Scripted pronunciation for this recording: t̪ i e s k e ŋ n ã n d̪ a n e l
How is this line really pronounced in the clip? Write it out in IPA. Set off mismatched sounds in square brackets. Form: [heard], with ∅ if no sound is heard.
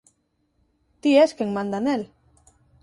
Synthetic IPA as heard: t̪ i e s k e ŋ [m] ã n d̪ a n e l